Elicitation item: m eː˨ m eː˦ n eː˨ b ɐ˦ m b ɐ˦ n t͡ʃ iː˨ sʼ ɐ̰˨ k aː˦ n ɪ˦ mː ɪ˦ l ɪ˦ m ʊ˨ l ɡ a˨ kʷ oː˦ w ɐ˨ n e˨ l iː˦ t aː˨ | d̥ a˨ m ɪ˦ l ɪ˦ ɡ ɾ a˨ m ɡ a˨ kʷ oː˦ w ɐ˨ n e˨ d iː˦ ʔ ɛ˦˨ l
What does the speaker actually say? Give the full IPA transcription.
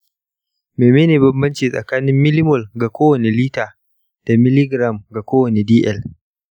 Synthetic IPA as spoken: m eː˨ m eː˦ n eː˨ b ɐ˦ m b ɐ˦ n t͡ʃ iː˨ sʼ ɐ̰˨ k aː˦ n ɪ˦ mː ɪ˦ l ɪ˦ m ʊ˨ l ɡ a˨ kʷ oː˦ w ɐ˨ n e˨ l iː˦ t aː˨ | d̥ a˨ m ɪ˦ l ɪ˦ ɡ ɾ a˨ m ɡ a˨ kʷ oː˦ w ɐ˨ n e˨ d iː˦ ʔ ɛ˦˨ l